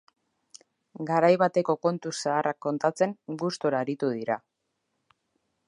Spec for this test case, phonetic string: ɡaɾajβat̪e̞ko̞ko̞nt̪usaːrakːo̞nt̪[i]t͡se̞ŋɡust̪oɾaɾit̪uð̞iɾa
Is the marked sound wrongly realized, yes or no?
yes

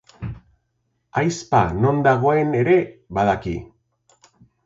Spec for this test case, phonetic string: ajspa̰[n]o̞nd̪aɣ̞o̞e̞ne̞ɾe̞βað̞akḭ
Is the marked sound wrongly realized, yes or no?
no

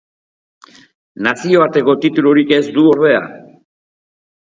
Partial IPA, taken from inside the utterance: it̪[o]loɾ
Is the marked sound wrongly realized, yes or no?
yes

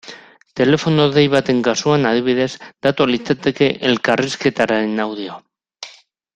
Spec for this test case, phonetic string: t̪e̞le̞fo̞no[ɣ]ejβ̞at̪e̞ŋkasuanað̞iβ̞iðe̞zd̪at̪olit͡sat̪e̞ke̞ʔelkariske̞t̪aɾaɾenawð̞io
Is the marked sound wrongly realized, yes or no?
yes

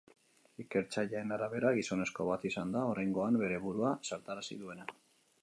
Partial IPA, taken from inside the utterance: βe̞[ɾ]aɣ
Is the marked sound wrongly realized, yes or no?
no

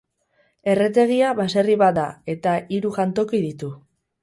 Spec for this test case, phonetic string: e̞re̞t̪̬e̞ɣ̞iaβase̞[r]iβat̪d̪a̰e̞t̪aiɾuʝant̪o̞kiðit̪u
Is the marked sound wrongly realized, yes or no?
no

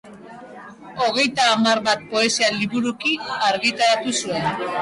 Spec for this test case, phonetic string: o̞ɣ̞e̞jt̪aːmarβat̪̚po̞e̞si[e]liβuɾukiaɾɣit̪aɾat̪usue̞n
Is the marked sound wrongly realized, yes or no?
yes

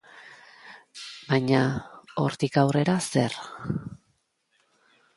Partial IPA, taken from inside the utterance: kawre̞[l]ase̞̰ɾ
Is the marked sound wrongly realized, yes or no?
yes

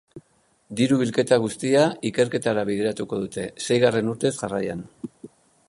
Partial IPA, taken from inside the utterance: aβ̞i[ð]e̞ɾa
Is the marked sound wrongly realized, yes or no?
no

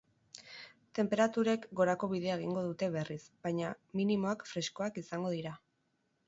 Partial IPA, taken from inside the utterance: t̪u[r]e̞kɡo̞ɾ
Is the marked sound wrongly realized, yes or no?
yes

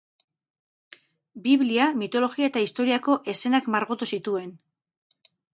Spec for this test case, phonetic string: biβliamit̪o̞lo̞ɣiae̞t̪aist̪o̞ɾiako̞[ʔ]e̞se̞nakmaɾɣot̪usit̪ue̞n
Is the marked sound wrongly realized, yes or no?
no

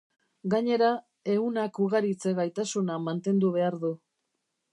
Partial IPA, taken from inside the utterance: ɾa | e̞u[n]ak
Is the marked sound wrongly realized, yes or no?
no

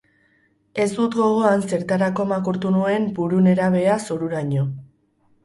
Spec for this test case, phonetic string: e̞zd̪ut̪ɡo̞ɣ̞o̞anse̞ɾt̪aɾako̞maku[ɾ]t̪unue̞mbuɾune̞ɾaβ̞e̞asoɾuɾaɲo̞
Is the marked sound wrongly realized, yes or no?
no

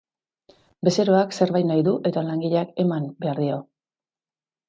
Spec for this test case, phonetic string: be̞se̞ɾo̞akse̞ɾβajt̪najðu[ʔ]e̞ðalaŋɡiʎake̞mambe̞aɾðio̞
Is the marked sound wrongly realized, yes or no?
no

